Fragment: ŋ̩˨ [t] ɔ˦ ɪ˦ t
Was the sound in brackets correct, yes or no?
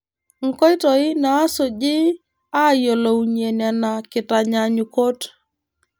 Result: no